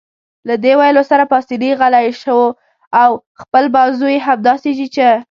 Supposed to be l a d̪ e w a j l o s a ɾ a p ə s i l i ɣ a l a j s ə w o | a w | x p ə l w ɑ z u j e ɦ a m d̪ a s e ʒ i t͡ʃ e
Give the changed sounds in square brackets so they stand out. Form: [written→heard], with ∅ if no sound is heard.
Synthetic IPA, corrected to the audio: l a d̪ e w a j l o s a ɾ a p [ə→ɑ] s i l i ɣ a l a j [s→ʃ] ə w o | a w | x p ə l [w→b] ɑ z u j e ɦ a m d̪ [a→ɑ] s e ʒ i t͡ʃ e